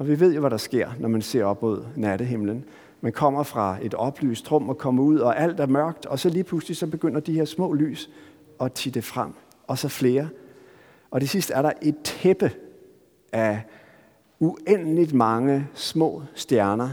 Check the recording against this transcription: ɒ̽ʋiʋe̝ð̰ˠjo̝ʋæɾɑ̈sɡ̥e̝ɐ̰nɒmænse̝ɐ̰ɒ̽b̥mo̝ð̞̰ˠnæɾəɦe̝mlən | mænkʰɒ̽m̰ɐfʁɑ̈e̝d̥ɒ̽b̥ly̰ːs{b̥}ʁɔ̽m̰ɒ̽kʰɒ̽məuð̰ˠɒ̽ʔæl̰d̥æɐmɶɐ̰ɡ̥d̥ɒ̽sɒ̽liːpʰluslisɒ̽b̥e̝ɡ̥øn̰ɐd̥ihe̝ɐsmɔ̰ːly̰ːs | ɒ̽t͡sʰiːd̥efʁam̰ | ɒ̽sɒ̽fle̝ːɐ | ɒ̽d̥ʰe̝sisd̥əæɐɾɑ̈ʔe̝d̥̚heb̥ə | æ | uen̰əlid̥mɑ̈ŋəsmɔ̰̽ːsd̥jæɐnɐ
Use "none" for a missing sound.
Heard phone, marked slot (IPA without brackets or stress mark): d̥